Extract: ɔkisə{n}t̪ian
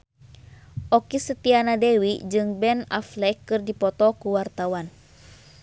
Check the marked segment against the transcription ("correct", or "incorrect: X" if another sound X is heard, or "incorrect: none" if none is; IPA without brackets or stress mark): incorrect: none